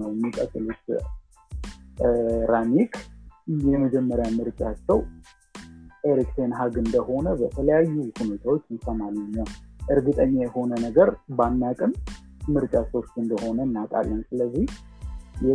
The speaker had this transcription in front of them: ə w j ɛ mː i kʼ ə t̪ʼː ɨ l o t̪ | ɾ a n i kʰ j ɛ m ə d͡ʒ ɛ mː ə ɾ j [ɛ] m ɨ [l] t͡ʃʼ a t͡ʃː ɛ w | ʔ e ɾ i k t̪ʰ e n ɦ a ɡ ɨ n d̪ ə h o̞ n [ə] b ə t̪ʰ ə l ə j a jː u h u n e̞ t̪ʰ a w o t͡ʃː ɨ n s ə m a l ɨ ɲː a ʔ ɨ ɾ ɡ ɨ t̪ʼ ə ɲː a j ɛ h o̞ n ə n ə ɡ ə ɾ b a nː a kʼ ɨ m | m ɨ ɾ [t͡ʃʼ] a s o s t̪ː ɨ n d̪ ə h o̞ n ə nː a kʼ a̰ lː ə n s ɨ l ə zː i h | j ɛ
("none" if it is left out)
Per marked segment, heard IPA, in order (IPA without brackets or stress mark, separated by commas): a, ɾ, ə, t͡ʃʼ